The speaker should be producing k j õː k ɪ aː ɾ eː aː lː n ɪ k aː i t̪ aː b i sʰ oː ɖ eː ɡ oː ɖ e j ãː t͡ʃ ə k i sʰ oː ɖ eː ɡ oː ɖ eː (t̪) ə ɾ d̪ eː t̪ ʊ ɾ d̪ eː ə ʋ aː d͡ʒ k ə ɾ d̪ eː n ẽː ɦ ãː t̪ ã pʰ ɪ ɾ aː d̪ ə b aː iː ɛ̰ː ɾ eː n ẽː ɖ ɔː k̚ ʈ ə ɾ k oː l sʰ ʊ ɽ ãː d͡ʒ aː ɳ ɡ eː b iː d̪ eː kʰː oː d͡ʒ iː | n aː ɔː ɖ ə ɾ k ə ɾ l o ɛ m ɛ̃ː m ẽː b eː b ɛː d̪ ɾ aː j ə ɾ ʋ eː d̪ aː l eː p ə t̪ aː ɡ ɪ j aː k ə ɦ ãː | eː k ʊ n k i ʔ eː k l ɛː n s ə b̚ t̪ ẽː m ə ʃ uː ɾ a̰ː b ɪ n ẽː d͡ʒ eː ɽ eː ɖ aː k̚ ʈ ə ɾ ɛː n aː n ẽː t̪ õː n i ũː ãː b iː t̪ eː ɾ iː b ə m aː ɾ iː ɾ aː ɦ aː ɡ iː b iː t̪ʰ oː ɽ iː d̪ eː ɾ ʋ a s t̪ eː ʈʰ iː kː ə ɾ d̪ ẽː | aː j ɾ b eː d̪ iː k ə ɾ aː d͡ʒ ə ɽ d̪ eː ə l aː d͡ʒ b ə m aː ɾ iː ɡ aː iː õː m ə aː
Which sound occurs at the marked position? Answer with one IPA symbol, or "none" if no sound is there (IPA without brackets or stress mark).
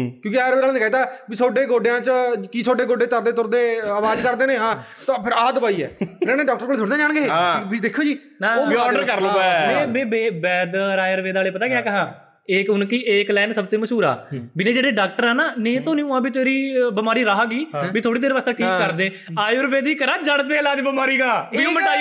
t̪